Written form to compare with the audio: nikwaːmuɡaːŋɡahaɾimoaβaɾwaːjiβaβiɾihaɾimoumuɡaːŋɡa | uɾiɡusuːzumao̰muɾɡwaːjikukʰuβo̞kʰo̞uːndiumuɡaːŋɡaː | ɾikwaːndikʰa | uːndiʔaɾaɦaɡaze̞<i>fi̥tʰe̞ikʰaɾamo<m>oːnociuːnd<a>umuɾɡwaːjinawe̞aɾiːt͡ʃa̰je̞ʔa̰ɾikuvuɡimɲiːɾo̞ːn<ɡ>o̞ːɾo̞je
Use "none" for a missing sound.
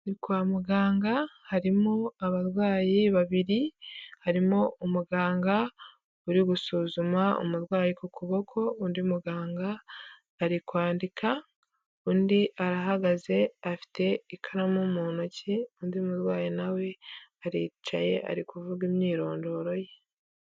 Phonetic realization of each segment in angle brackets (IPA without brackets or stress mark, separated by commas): a, m, i, d